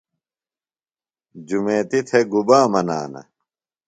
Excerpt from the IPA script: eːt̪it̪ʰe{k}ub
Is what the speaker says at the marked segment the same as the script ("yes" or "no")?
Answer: no